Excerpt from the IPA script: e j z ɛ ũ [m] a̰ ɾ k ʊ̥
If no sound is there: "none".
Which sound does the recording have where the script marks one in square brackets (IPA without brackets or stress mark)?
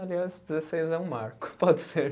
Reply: m